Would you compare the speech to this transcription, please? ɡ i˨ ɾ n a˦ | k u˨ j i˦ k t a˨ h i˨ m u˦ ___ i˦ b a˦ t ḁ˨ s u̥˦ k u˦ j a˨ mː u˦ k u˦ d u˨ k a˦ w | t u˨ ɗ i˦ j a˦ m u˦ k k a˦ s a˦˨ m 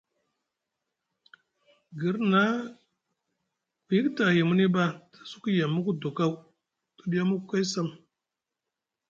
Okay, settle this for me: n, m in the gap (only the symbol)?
n